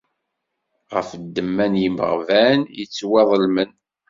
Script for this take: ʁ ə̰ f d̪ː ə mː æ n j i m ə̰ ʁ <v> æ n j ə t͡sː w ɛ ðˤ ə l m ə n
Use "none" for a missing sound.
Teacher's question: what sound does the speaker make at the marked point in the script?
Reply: v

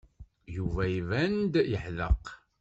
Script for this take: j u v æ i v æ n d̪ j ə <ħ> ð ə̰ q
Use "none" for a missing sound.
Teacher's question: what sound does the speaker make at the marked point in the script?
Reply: ħ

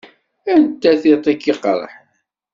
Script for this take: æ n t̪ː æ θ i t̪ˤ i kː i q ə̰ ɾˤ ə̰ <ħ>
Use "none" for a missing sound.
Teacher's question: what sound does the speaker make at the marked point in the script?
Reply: ħ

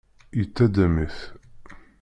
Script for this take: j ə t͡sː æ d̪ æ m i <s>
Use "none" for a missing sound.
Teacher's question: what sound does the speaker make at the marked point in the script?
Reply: θ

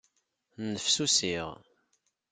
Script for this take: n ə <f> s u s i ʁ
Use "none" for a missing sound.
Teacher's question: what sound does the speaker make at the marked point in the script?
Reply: f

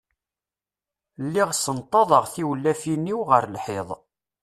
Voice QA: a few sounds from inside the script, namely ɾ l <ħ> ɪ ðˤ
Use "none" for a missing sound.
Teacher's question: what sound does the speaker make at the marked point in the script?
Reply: ħ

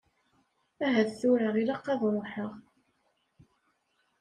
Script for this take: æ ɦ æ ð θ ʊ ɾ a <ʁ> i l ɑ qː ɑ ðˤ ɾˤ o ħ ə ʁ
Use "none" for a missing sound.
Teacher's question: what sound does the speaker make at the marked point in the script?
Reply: ʁ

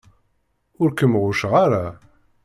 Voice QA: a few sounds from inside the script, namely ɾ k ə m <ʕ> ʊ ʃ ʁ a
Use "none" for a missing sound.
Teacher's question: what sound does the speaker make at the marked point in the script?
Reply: ʁ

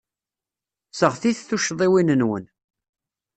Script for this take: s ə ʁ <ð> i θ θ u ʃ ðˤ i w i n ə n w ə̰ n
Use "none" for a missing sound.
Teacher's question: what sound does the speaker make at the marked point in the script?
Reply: θ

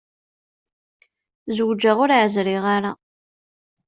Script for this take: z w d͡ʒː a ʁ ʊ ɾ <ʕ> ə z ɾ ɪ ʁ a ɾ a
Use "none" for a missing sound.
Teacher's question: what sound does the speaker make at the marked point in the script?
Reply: ʕ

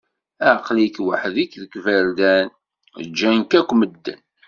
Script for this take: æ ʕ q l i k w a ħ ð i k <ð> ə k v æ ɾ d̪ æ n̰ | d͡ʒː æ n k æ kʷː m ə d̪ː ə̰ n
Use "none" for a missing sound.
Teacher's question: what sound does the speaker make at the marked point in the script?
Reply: ð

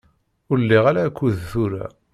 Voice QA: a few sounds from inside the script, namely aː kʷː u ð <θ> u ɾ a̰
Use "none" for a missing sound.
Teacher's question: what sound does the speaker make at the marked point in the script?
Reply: θ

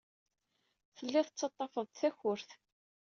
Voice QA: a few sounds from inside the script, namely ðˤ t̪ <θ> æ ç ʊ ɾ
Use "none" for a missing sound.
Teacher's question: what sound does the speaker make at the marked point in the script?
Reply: θ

